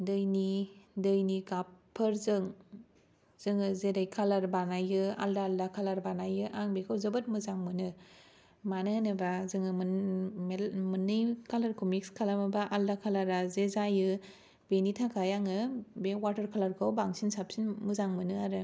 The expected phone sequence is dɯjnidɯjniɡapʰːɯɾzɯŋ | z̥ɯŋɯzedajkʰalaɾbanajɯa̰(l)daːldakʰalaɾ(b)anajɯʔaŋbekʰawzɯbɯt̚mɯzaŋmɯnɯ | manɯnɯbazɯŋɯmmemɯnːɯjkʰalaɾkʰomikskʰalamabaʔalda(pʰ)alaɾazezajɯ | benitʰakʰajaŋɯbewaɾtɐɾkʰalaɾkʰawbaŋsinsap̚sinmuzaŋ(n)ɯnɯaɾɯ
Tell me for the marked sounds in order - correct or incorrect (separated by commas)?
correct, correct, incorrect, incorrect